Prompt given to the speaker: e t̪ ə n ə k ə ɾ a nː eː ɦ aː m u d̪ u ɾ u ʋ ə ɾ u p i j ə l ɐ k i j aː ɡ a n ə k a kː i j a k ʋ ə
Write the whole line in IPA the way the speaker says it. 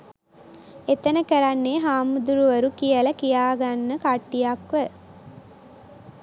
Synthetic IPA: e t̪ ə n ə k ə ɾ a nː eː ɦ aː m u d̪ u ɾ u ʋ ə ɾ u k i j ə l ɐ k i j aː ɡ a nː ə k a ʈː i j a k ʋ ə